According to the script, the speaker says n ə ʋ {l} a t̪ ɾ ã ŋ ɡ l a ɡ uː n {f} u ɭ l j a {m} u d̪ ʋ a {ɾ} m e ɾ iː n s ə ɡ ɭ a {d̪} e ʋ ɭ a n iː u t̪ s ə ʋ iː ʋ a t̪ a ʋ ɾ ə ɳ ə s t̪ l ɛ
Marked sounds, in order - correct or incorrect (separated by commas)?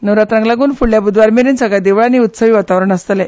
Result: incorrect, correct, incorrect, correct, correct